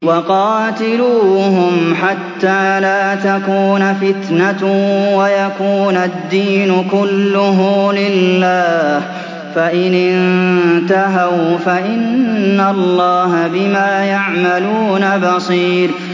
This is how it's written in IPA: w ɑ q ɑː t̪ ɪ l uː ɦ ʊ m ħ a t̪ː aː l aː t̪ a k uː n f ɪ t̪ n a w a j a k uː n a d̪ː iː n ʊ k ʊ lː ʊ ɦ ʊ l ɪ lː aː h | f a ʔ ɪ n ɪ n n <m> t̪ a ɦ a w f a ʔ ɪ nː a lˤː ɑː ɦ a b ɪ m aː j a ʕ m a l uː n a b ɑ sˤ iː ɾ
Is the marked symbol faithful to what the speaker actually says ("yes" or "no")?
no